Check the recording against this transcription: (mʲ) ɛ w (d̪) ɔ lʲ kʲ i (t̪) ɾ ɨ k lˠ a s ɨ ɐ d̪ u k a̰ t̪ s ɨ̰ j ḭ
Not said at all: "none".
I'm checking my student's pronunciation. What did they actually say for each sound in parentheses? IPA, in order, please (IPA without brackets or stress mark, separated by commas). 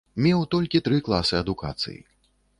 mʲ, t̪, t̪